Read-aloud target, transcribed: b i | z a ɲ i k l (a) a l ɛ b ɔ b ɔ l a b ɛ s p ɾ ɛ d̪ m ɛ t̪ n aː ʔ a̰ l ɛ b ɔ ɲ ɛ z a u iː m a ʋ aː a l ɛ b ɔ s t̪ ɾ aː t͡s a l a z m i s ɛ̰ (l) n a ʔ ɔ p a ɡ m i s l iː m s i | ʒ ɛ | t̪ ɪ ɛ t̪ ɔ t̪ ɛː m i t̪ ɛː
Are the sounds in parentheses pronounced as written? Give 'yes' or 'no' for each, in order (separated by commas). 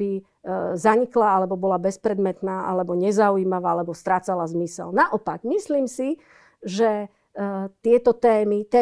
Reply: yes, yes